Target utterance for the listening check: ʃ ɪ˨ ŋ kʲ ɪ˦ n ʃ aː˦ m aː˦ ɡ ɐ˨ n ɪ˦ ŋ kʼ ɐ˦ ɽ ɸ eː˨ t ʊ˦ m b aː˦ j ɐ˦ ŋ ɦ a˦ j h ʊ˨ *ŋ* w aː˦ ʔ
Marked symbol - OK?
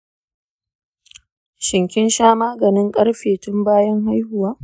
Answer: no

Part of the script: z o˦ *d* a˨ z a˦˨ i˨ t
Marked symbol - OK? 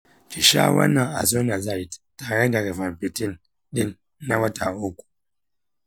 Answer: no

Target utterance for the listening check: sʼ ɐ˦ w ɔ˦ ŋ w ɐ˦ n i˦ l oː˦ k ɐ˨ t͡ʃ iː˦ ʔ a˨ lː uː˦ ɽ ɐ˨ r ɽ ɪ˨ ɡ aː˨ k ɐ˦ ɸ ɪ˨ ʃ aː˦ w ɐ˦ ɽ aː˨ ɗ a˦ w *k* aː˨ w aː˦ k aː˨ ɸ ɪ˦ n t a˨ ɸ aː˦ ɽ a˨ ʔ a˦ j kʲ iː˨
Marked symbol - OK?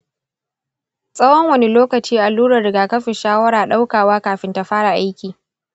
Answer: yes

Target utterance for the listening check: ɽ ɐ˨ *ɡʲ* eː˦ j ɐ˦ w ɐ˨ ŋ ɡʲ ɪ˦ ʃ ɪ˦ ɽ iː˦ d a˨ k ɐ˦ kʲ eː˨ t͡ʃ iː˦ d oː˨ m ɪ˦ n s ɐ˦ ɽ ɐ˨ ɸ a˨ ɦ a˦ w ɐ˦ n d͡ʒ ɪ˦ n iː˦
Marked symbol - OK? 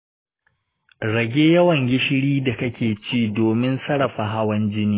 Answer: yes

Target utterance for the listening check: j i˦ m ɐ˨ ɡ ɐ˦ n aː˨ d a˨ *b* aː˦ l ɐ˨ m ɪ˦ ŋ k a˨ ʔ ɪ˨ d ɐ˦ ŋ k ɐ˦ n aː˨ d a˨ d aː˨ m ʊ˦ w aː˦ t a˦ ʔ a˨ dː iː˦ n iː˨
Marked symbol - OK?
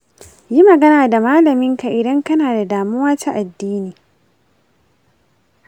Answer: no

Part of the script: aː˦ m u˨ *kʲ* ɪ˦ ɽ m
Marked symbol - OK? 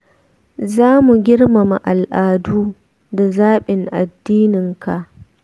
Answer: no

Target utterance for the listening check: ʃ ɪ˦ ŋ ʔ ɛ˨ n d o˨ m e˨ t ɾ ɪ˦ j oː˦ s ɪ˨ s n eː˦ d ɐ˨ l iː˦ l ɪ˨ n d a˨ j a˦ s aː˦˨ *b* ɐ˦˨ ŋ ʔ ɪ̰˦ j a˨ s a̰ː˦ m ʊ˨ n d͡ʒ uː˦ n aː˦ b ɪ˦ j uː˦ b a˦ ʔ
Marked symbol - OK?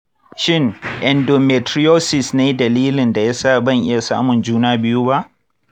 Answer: yes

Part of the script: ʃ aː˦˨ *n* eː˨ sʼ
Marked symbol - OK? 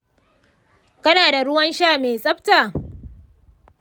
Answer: no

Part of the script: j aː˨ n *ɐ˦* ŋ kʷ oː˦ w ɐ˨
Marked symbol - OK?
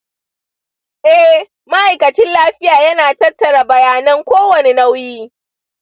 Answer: yes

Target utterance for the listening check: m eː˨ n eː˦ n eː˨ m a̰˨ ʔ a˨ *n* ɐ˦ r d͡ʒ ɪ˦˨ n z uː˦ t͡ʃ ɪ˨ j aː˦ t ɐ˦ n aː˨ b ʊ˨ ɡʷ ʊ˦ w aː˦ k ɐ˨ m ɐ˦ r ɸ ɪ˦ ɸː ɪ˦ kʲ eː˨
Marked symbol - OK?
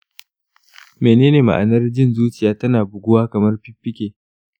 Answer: yes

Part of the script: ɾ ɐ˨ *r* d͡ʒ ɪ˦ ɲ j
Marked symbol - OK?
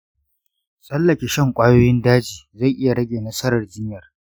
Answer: yes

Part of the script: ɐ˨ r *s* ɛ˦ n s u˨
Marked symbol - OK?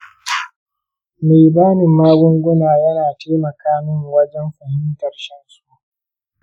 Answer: no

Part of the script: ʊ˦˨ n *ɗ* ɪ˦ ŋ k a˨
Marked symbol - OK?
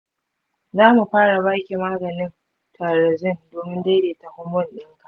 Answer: yes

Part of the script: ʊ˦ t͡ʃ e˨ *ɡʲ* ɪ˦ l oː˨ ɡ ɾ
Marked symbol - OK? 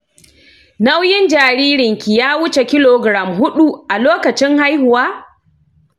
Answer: no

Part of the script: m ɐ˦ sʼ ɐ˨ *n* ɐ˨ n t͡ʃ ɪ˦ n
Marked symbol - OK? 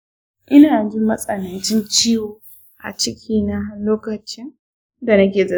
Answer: yes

